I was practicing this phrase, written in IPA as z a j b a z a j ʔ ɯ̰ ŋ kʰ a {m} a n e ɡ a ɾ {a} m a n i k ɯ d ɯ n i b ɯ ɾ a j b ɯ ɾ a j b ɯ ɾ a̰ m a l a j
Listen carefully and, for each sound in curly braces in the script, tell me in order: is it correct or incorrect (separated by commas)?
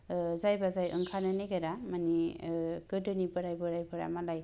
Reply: incorrect, correct